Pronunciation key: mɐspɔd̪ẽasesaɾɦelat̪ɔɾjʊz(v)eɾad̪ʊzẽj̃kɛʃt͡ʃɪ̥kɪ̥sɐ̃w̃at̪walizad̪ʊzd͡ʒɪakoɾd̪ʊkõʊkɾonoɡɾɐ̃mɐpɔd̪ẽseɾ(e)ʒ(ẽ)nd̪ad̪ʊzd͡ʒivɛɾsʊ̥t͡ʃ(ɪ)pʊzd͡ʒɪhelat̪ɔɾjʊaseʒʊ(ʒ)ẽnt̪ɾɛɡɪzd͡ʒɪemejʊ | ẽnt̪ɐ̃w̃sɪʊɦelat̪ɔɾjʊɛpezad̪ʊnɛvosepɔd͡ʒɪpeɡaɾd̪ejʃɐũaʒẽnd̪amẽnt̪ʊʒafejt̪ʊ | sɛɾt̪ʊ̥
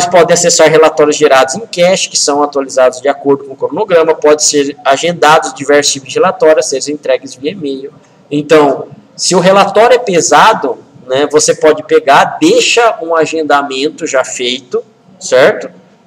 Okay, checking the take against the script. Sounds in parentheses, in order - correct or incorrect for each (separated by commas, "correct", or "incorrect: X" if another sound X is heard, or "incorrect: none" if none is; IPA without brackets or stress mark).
incorrect: ʒ, incorrect: a, correct, incorrect: i, incorrect: z